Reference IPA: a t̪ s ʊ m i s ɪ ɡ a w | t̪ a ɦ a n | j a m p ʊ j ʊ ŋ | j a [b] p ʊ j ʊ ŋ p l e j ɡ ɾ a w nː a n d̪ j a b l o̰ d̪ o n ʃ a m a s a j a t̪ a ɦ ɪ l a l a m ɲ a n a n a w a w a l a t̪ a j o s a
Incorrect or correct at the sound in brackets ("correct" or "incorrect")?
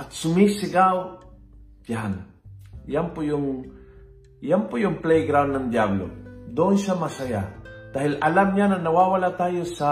incorrect